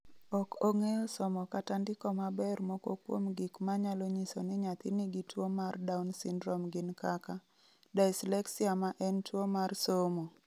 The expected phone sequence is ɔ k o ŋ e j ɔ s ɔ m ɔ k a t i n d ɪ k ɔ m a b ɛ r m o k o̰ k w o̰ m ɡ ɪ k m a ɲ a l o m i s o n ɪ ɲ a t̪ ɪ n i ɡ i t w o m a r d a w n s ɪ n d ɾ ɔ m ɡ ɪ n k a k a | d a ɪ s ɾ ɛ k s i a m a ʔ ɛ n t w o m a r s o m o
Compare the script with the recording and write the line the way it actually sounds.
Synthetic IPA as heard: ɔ k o ŋ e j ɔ s ɔ m ɔ k a t a n d ɪ k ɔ m a b ɛ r m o k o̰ k w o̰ m ɡ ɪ k m a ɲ a l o ɲ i s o n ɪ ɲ a t̪ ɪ n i ɡ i t w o m a r d a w n s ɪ n d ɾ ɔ m ɡ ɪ n k a k a | d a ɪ s l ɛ k s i a m a ʔ ɛ n t w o m a r s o m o